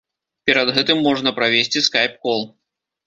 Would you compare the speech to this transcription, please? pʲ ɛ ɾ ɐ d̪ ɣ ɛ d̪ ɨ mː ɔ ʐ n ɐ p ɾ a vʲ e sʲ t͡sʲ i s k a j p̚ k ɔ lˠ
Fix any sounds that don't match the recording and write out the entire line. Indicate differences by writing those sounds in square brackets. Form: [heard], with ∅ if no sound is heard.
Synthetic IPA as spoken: pʲ ɛ ɾ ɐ d̪ ɣ ɛ [t̪] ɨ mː ɔ ʐ n ɐ p ɾ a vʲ e sʲ t͡sʲ i s k a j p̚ k ɔ lˠ